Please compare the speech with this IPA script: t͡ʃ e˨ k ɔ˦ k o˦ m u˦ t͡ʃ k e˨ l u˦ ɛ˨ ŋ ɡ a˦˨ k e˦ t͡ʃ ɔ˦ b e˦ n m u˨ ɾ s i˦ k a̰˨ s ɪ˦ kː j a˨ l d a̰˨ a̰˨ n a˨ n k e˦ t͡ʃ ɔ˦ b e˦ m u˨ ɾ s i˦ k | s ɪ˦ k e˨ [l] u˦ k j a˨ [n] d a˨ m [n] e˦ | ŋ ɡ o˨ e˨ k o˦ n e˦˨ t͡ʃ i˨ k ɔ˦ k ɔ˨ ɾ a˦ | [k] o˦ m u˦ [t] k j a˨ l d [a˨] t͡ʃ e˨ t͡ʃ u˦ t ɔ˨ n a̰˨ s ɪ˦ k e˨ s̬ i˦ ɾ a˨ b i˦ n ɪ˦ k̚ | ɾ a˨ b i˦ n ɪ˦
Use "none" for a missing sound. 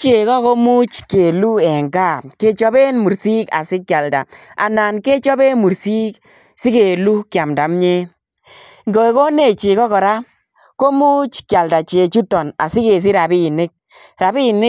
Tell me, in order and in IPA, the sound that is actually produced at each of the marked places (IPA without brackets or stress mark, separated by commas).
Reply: l, m, ɲ, k, t͡ʃ, a˨